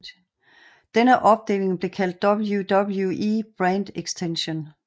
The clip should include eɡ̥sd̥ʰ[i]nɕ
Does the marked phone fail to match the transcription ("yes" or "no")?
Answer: yes